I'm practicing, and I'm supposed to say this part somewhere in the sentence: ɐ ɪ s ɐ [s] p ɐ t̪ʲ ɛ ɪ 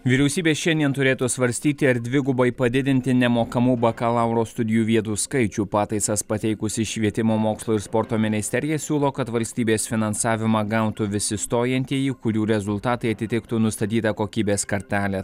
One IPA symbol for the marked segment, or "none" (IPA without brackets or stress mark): s